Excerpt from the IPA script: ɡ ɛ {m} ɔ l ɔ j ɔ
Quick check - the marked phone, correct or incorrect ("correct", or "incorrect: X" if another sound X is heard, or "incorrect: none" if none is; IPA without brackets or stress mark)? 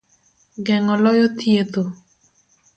incorrect: ŋ